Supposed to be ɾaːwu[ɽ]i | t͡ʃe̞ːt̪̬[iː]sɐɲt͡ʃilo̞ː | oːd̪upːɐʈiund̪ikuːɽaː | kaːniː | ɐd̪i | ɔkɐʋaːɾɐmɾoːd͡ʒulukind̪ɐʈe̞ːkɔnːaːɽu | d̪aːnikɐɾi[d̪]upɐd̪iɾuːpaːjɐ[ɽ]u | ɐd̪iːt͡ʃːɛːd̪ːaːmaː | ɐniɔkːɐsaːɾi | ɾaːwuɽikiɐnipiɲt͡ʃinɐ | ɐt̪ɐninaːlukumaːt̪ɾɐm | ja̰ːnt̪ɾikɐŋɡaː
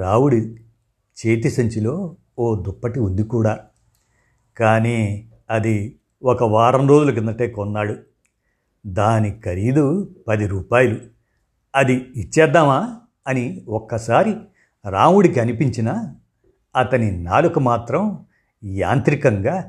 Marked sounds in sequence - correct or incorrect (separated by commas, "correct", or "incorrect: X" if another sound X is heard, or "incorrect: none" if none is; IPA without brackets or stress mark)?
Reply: correct, incorrect: i, correct, incorrect: l